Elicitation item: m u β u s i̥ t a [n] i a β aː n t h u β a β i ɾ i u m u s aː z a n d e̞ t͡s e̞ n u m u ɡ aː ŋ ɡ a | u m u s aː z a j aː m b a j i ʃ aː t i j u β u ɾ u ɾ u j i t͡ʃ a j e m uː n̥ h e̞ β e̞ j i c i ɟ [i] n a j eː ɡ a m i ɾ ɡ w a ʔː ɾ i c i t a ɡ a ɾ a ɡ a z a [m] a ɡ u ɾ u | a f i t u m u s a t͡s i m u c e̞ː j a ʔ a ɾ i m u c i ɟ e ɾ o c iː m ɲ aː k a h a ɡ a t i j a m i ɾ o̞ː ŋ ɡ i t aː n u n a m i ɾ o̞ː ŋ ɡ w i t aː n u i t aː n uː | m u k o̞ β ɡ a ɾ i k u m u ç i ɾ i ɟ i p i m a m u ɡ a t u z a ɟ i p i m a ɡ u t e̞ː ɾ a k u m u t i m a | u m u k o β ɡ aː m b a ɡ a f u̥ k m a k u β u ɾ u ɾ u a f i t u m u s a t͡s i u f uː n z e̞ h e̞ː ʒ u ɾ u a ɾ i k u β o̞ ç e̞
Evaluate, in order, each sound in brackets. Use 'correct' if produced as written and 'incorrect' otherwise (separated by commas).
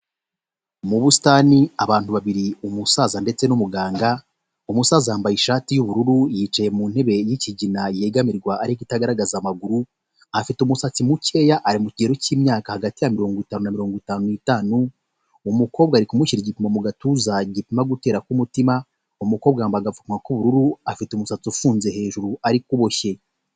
correct, correct, correct